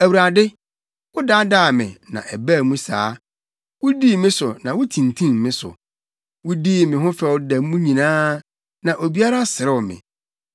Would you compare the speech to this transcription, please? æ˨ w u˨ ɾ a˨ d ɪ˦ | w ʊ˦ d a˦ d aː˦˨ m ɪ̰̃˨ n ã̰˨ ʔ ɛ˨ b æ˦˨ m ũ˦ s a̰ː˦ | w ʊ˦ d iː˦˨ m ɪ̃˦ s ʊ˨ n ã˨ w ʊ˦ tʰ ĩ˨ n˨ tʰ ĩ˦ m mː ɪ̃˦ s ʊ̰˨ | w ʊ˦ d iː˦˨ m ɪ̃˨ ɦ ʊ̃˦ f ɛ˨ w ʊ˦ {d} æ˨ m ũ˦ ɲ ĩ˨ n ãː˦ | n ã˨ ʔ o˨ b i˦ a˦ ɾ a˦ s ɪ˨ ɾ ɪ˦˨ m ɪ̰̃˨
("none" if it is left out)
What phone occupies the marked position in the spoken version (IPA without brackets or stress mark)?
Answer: d